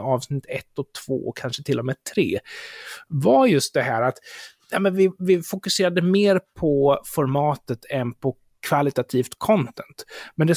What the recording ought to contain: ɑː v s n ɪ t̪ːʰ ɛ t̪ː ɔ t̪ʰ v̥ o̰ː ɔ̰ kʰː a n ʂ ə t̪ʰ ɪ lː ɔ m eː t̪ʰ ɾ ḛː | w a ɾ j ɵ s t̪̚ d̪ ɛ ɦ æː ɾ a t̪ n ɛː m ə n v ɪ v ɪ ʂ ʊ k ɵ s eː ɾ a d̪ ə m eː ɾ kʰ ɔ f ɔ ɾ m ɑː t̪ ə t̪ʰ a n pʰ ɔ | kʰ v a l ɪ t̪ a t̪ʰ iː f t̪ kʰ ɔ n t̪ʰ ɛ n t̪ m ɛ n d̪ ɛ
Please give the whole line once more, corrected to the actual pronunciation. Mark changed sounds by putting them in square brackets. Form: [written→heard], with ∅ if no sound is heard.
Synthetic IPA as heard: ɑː v s n ɪ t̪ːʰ ɛ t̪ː ɔ t̪ʰ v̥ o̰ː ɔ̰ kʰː a n ʂ ə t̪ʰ ɪ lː ɔ m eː t̪ʰ ɾ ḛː | [w→v] a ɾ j ɵ s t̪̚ d̪ ɛ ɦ æː ɾ a t̪ n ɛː m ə n v ɪ v ɪ [ʂ→f] ʊ k ɵ s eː ɾ a d̪ ə m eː ɾ [kʰ→pʰ] ɔ f ɔ ɾ m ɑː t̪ ə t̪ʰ [a→ɛ] n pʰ ɔ | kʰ v a l ɪ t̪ a t̪ʰ iː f t̪ kʰ ɔ n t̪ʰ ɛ n t̪ m ɛ n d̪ ɛ